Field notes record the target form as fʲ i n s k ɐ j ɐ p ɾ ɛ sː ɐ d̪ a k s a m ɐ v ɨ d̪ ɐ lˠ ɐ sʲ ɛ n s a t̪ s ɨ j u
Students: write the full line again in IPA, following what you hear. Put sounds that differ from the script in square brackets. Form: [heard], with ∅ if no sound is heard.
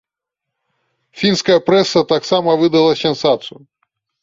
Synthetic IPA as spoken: fʲ i n s k ɐ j ɐ p ɾ ɛ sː ɐ [t̪] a k s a m ɐ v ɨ d̪ ɐ lˠ ɐ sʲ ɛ n s a t̪ s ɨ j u